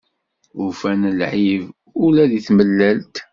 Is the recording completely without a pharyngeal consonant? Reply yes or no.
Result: no